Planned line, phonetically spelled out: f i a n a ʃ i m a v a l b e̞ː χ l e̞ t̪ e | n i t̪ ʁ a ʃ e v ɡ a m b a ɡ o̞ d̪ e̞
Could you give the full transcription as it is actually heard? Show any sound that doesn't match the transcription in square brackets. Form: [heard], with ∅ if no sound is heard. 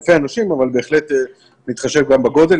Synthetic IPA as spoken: f [e] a n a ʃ i m a v a l b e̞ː χ l e̞ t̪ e | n i t̪ [χ] a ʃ e v ɡ a m b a ɡ o̞ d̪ e̞